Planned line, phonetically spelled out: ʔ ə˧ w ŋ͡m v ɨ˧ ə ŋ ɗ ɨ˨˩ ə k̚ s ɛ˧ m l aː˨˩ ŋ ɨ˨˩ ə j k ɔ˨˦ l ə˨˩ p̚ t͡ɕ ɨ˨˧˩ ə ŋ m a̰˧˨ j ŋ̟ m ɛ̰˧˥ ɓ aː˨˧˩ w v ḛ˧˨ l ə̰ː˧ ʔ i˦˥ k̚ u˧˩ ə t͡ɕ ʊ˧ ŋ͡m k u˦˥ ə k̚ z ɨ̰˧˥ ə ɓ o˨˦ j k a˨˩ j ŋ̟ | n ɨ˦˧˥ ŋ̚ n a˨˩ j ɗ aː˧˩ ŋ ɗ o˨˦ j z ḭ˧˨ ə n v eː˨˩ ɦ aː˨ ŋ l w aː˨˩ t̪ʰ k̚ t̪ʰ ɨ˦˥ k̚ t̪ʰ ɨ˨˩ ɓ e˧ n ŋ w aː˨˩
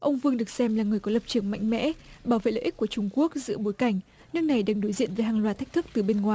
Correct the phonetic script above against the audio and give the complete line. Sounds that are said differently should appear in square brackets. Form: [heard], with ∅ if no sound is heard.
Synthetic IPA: ʔ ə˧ w ŋ͡m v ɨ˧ ə ŋ ɗ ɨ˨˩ ə k̚ s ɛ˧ m l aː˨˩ ŋ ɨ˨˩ ə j k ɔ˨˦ l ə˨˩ p̚ t͡ɕ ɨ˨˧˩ ə ŋ m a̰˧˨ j ŋ̟ m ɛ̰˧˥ ɓ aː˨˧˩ w v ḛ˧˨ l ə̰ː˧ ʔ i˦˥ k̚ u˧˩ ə t͡ɕ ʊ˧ ŋ͡m k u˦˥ ə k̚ z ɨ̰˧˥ ə ɓ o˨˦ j k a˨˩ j ŋ̟ | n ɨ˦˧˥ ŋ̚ n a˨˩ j ɗ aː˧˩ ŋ ɗ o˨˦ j z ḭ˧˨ ə n v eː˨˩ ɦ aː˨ ŋ l w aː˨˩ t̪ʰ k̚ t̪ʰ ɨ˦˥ k̚ [t̪] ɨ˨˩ ɓ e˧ n ŋ w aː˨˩